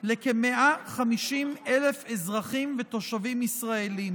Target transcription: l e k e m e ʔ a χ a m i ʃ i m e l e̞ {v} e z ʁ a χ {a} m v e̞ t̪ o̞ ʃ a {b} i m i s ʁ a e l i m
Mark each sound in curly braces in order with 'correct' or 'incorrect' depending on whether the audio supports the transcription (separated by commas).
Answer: incorrect, incorrect, incorrect